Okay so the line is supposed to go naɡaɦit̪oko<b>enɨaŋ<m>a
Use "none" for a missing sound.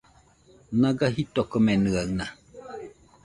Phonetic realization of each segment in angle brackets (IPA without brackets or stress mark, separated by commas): m, n